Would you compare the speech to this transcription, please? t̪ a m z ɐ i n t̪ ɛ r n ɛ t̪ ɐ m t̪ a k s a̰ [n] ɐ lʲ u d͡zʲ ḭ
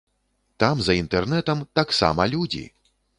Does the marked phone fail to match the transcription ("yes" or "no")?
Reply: yes